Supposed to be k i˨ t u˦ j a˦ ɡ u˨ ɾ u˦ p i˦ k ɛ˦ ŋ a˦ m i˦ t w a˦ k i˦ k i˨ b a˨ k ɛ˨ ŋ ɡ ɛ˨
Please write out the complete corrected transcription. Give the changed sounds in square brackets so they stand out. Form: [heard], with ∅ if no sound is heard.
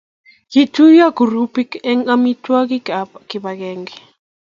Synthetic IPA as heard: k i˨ t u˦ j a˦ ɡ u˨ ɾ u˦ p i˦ k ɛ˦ ŋ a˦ m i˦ t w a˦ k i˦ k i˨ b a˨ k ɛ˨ ŋ ɡ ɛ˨